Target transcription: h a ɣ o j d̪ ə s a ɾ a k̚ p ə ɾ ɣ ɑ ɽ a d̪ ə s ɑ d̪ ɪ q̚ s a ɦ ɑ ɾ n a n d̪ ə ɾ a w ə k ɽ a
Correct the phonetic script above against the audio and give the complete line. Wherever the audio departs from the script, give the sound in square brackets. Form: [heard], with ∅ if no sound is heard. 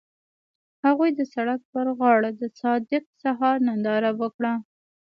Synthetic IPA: h a ɣ [u] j d̪ ə s a [ɽ] a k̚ p ə ɾ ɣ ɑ ɽ a d̪ ə s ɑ d̪ ɪ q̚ s a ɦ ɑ ɾ n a n d̪ [ɑ] ɾ a w ə k ɽ a

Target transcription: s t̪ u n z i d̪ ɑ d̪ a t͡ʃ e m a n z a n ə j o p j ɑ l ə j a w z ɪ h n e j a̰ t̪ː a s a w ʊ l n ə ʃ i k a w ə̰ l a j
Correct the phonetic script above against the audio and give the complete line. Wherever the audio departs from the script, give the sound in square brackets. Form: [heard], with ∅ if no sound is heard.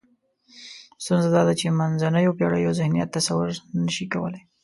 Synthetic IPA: s t̪ u n z [a] d̪ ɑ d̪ a t͡ʃ e m a n z a n ə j o p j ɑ [ɽ] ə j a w z ɪ h n [i] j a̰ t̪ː a s a w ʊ [ɾ] n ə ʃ i k a w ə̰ l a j

